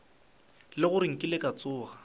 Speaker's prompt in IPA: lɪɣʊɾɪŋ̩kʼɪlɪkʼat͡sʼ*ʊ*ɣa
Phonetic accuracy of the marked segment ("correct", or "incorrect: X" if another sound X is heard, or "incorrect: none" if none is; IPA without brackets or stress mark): incorrect: ʊː